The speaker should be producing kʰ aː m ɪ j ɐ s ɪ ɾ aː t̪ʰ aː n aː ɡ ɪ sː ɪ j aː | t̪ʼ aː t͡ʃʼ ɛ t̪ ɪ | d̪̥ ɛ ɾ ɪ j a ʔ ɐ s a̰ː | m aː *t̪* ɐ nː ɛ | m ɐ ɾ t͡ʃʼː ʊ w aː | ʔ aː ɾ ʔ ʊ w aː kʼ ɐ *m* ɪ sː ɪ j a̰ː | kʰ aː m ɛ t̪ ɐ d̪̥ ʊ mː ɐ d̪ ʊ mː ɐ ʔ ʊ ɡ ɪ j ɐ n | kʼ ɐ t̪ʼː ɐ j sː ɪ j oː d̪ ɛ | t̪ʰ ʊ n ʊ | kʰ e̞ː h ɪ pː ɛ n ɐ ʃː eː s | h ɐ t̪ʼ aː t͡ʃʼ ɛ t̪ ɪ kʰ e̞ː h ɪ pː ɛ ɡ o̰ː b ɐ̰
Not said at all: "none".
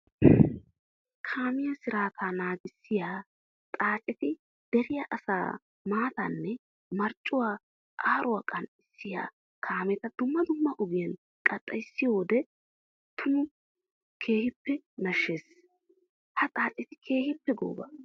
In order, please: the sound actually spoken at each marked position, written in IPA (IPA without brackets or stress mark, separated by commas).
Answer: t̪, n